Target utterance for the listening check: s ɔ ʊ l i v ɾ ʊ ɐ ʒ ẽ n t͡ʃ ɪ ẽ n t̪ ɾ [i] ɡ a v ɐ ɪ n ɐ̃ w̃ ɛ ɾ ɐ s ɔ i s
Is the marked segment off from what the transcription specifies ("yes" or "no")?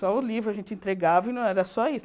yes